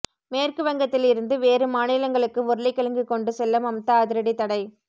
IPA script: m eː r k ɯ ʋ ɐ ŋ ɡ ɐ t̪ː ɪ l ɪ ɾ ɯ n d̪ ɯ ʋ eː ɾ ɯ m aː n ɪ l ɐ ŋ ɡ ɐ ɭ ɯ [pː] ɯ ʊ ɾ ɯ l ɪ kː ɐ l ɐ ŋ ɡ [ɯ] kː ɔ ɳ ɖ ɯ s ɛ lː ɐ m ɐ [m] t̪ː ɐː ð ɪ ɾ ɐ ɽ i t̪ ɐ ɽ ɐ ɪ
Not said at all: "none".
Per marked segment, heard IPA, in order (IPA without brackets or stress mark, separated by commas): kː, ɯ, m